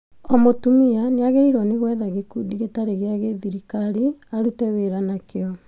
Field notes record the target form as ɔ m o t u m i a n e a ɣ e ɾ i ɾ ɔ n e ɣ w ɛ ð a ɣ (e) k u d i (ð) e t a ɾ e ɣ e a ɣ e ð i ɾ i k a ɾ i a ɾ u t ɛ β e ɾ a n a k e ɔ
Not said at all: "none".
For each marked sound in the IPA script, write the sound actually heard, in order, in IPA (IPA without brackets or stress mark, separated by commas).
e, ɣ